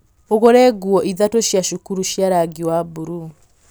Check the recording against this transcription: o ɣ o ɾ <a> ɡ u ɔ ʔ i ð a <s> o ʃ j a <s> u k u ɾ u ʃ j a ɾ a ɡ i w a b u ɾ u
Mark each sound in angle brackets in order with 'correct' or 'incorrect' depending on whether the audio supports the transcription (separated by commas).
incorrect, incorrect, incorrect